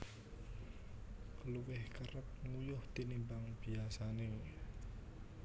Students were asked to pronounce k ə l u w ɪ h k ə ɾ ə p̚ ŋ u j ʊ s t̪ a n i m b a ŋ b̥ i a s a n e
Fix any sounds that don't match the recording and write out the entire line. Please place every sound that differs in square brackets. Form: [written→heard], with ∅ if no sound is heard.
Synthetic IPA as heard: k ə l u w ɪ h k ə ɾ ə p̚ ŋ u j ʊ [s→h] t̪ [a→i] n i m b a ŋ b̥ i a s a n e